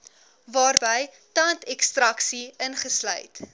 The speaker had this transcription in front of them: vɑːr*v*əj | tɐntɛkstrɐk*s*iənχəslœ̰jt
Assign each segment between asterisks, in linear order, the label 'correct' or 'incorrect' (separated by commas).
incorrect, correct